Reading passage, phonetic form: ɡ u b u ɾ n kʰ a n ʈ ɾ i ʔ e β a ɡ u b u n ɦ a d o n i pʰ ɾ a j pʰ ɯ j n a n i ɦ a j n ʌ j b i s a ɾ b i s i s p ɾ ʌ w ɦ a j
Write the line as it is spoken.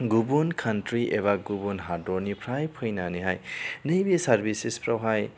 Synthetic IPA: ɡ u b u n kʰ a n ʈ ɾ i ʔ e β a ɡ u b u n ɦ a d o n i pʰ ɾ a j pʰ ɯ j n a n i ɦ a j n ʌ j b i s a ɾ b i s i s p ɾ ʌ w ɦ a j